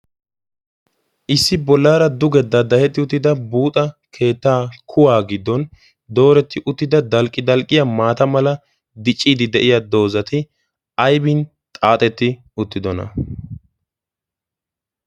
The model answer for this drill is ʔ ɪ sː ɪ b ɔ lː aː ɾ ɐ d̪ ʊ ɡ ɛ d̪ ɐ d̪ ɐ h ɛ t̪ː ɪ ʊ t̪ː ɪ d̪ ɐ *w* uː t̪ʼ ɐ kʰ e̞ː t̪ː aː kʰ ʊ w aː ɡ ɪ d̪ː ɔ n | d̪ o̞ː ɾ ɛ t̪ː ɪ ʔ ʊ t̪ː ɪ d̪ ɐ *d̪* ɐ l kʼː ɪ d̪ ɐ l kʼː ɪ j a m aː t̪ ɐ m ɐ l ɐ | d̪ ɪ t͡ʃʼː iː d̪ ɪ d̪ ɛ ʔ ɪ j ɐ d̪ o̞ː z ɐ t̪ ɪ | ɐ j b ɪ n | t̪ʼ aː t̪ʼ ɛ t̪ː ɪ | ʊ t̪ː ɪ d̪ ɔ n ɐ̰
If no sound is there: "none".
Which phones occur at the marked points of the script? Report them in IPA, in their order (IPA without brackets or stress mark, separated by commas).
b, d̪